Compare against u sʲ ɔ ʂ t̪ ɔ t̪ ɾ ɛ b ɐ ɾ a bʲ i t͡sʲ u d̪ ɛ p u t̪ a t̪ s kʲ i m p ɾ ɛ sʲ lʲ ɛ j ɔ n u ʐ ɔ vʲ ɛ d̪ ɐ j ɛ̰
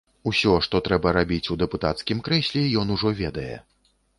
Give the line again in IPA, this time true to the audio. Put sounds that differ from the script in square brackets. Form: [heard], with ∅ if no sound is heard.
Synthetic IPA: u sʲ ɔ ʂ t̪ ɔ t̪ ɾ ɛ b ɐ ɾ a bʲ i t͡sʲ u d̪ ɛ p u t̪ a t̪ s kʲ i m [k] ɾ ɛ sʲ lʲ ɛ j ɔ n u ʐ ɔ vʲ ɛ d̪ ɐ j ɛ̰